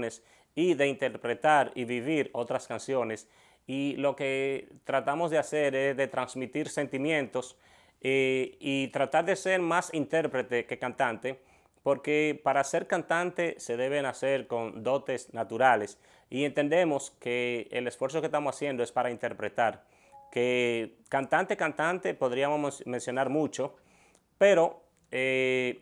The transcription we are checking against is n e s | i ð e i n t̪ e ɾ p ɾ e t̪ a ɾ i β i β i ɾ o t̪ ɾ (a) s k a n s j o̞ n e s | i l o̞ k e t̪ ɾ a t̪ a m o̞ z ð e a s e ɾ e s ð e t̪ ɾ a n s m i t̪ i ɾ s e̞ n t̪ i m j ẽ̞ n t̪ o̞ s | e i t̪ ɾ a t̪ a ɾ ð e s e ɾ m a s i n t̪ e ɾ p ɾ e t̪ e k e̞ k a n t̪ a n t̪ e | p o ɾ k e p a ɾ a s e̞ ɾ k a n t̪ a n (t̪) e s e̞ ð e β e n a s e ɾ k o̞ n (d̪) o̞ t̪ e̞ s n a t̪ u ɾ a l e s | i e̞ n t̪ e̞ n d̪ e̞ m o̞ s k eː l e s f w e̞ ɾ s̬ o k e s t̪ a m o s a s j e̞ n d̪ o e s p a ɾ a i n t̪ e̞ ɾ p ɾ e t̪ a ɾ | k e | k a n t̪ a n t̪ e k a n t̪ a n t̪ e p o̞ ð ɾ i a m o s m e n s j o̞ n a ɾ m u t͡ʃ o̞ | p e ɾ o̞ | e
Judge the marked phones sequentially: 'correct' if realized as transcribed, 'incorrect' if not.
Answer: correct, correct, correct

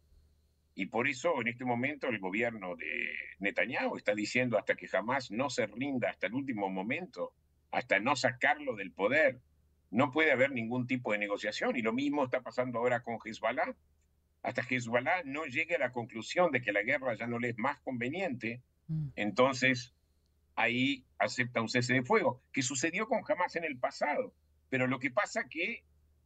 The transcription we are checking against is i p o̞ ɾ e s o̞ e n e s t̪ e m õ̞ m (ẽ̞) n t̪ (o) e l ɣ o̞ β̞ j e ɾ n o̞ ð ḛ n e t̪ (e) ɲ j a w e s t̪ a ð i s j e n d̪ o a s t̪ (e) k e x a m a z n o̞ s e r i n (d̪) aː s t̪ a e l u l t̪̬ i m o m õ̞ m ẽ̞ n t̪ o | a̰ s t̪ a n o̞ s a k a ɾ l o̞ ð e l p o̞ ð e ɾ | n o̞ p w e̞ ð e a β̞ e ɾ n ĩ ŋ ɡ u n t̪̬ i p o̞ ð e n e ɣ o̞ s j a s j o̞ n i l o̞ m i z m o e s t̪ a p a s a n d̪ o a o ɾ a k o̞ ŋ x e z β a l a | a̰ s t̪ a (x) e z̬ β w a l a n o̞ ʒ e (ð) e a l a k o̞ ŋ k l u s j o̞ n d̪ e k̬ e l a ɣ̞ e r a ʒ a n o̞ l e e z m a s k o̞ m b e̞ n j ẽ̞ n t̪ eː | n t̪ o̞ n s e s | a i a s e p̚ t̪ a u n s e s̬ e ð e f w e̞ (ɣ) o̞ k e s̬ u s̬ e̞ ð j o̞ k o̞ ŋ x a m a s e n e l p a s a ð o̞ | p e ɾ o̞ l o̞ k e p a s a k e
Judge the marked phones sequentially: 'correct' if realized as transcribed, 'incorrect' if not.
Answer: correct, correct, incorrect: a, incorrect: a, correct, correct, incorrect: ɣ, correct

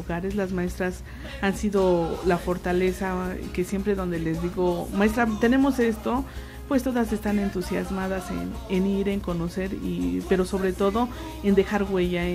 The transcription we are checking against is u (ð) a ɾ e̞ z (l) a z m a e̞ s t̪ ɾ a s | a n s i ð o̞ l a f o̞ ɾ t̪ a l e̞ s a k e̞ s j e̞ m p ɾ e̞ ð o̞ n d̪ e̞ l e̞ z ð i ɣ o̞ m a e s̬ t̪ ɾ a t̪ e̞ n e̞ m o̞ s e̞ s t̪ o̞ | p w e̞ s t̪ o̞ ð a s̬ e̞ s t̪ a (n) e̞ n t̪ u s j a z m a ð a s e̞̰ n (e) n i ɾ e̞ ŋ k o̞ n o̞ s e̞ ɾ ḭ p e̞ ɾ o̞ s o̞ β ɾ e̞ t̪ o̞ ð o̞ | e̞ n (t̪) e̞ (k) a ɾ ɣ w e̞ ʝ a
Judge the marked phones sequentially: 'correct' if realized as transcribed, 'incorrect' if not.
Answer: incorrect: ɣ, correct, correct, correct, incorrect: d̪, incorrect: x

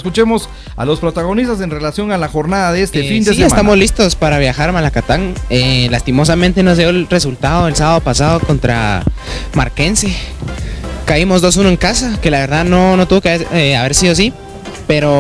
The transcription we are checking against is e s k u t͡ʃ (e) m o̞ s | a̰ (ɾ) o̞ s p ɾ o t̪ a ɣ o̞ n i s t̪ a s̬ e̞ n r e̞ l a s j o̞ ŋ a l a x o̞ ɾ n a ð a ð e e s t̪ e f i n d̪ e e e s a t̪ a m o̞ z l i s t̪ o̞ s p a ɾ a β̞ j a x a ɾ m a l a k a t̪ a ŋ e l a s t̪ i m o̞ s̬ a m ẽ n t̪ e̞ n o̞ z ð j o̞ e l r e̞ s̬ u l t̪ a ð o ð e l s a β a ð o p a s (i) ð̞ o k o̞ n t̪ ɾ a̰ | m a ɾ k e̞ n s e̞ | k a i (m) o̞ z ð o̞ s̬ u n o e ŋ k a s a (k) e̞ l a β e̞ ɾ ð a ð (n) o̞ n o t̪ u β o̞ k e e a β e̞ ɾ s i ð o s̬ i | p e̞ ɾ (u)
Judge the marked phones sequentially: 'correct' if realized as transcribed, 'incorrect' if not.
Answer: correct, incorrect: l, incorrect: a, correct, correct, correct, incorrect: o

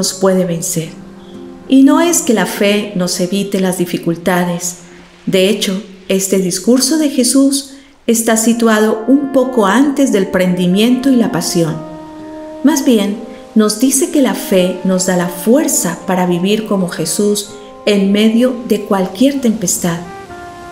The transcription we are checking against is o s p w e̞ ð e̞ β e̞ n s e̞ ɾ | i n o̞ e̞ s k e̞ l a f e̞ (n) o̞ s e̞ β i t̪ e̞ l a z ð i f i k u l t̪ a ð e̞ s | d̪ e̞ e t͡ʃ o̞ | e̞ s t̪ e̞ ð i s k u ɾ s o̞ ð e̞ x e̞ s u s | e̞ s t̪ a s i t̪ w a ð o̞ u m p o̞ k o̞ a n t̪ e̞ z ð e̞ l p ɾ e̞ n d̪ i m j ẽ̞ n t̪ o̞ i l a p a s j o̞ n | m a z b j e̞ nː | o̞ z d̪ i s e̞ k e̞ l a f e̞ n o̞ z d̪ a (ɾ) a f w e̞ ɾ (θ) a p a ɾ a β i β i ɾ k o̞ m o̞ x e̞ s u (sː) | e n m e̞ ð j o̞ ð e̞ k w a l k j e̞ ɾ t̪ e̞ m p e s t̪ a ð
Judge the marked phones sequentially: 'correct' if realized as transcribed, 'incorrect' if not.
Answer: correct, incorrect: l, incorrect: s, incorrect: s

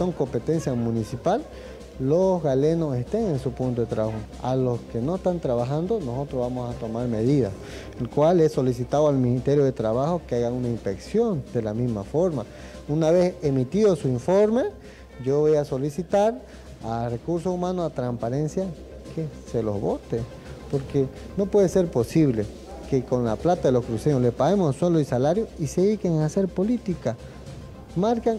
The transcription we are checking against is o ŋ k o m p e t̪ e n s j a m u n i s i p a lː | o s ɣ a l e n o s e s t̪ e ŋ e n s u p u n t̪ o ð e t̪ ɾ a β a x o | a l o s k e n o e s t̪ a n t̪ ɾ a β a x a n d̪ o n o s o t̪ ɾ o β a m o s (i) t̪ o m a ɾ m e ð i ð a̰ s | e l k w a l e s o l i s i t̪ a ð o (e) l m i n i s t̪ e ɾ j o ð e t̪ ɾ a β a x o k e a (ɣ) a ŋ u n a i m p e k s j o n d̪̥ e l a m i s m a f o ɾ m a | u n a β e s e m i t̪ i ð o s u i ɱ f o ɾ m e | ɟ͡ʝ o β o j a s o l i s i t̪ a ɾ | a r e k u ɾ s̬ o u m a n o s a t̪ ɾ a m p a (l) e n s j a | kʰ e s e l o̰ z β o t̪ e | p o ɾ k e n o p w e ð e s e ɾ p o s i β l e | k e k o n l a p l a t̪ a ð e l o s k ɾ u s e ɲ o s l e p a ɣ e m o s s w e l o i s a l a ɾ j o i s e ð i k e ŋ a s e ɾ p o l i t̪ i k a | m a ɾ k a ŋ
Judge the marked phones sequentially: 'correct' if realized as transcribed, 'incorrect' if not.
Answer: incorrect: a, incorrect: a, correct, incorrect: ɾ

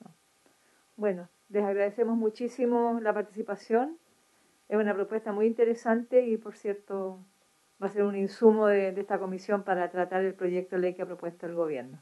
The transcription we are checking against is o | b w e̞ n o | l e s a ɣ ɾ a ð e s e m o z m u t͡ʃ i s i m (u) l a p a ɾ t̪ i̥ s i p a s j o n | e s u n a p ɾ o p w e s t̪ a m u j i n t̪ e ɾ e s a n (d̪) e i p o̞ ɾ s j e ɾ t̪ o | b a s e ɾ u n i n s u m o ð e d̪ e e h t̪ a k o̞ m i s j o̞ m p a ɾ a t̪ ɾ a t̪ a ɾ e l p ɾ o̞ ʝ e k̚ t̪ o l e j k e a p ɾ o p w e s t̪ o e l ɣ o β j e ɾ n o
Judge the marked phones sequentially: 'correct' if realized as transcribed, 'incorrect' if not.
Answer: incorrect: o, incorrect: t̪

